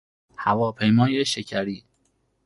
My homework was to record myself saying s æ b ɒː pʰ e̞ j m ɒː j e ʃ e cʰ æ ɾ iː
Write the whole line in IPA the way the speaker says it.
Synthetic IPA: h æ v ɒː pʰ e̞ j m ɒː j e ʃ e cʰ æ ɾ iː